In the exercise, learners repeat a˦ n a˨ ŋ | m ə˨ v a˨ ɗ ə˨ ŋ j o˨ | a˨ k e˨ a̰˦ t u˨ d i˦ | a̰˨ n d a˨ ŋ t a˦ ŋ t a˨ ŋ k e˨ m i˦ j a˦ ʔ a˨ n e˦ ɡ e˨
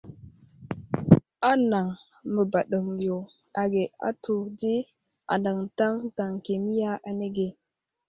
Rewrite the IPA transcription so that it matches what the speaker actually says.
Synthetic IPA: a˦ n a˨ ŋ | m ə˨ b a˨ ɗ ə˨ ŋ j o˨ | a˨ ɡ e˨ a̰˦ t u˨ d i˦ | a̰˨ n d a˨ ŋ t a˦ ŋ t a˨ ŋ k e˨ m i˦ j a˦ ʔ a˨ n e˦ ɡ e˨